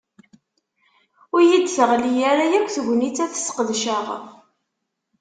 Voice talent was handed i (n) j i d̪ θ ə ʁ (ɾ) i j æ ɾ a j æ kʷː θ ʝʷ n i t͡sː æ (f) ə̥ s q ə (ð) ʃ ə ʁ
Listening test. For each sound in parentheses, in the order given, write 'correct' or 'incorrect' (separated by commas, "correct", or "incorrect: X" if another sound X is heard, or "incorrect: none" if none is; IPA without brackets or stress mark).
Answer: incorrect: none, incorrect: l, incorrect: θ, correct